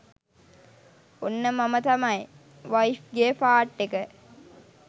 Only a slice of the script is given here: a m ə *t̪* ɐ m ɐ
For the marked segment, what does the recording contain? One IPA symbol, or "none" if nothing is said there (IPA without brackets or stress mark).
t̪